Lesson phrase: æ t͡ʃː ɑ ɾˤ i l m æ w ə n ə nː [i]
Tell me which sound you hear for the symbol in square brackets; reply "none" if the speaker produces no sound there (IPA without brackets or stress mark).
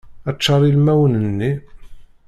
i